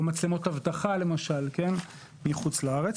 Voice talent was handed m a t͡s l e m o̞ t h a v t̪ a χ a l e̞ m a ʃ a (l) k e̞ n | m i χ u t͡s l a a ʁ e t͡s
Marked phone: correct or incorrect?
correct